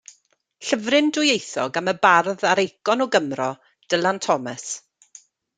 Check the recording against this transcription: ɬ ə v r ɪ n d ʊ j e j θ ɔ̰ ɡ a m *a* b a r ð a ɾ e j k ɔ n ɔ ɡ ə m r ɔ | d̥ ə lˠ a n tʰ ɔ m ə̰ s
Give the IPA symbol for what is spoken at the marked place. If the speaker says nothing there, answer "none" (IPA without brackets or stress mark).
ə